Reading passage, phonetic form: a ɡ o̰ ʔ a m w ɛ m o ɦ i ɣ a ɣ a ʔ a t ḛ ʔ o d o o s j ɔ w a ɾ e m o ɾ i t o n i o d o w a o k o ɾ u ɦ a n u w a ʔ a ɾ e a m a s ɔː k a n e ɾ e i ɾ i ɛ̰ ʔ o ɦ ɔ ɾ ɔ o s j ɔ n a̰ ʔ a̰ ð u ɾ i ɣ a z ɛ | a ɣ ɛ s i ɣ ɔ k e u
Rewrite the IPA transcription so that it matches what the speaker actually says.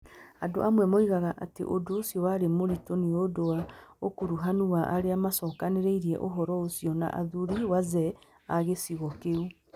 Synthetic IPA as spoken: a d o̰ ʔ a m w ɛ m o i ɣ a ɣ a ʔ a t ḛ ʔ o d o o s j ɔ w a ɾ e m o ɾ i t o n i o d o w a o k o ɾ u ɦ a n u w a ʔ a ɾ e a m a s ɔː k a n e ɾ e i ɾ i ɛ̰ ʔ o ɦ ɔ ɾ ɔ o s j ɔ n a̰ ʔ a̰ ð u ɾ i w a z ɛ | a ɣ e s i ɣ ɔ k e u